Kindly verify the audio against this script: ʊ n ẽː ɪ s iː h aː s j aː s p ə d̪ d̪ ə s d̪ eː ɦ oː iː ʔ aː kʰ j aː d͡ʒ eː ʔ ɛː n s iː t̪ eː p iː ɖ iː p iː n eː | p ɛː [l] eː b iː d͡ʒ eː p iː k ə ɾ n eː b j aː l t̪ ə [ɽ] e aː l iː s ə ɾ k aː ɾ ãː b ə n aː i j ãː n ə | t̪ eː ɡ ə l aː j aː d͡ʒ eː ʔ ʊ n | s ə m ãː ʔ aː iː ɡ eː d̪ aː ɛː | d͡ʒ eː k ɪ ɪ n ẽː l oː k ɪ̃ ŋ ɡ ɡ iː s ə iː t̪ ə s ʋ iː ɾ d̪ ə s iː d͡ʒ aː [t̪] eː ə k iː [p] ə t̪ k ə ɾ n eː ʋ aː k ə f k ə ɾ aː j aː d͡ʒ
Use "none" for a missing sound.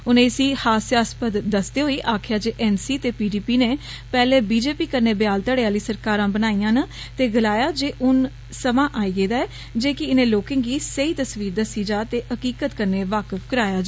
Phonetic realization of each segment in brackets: l, ɽ, t̪, k

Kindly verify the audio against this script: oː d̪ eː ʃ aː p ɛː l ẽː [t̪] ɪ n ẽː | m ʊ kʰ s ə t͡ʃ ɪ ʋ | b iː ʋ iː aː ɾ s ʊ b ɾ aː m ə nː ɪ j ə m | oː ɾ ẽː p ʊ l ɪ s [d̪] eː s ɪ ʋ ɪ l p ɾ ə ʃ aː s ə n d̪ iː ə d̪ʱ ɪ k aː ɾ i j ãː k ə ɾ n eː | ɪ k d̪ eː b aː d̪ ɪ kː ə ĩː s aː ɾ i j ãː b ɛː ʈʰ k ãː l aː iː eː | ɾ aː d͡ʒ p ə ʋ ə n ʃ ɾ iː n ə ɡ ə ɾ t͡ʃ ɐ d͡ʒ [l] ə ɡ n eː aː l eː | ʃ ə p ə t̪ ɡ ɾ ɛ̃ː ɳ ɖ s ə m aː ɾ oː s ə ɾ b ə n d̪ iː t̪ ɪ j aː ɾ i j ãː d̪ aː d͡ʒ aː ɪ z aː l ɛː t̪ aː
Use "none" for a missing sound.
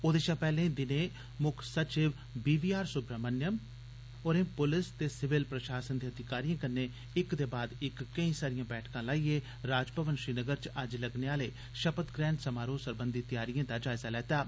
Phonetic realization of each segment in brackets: d̪, t̪, l

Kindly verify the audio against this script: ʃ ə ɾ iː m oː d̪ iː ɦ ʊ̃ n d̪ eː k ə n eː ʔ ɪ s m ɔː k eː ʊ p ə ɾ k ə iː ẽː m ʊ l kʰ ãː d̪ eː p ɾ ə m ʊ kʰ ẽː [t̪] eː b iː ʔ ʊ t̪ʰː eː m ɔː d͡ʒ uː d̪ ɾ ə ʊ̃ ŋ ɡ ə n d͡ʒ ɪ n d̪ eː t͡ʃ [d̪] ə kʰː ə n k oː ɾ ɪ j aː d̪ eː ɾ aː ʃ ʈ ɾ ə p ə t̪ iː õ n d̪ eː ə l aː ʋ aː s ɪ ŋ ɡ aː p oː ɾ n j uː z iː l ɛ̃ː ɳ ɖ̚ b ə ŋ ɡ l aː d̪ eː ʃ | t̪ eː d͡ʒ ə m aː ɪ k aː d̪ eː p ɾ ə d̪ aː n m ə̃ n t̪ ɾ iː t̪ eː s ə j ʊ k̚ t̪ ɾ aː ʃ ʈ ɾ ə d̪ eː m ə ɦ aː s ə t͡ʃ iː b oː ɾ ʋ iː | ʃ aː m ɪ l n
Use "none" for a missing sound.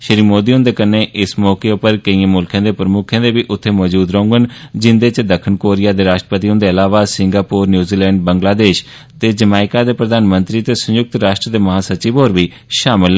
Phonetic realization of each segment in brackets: d̪, d̪

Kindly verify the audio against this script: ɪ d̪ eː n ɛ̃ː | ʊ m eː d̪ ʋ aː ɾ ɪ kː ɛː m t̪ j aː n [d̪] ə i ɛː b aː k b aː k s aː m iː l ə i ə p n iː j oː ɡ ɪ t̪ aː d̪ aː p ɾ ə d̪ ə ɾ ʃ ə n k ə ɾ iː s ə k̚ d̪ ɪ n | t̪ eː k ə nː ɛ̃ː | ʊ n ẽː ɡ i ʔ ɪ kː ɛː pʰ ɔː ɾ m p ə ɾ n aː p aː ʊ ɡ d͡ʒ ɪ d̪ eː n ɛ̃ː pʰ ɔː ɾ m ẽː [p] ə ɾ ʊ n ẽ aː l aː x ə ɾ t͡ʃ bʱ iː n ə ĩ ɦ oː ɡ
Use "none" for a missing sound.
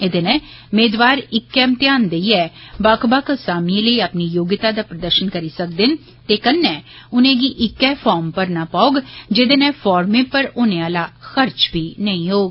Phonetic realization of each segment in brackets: d̪, p

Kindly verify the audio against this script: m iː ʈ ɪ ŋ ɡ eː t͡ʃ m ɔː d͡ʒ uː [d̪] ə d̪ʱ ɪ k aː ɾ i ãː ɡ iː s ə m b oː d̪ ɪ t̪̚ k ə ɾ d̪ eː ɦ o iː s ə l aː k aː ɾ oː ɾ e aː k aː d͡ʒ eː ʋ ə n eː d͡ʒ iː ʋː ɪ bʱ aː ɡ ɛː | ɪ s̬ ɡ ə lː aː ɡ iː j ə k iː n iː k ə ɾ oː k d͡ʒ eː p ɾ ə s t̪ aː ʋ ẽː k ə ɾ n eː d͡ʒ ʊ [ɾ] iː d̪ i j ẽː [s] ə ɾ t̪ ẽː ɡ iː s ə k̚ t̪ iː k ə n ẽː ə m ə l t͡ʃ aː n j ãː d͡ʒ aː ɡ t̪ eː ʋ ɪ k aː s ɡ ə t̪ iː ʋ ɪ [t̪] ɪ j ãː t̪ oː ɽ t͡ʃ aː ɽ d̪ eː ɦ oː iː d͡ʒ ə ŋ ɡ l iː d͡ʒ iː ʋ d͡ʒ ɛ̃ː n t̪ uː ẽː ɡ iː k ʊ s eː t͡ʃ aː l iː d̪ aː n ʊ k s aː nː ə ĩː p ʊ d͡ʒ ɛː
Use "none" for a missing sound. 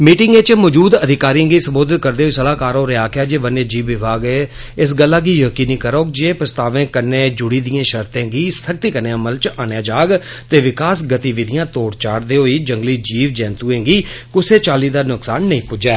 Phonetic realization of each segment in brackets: d̪, ɽ, ʃ, d̪

